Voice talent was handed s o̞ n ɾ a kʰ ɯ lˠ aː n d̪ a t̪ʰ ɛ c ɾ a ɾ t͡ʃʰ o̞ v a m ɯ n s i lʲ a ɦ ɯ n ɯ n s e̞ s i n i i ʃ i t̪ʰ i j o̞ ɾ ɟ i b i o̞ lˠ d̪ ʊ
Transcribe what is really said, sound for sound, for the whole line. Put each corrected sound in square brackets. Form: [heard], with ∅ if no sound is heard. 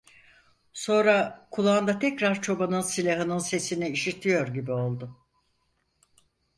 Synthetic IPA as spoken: s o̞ n ɾ a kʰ [u] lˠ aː n d̪ a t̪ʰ ɛ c ɾ a ɾ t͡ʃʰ o̞ [b] a [n] ɯ n s i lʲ a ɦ ɯ n ɯ n s e̞ s i n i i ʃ i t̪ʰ i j o̞ ɾ ɟ i b i o̞ lˠ d̪ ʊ